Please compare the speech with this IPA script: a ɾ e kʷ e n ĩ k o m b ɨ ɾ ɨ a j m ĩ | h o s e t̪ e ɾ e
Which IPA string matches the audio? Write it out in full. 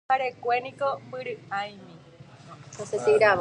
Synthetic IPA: a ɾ e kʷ e n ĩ k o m b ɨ ɾ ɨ a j m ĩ | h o s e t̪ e ɾ a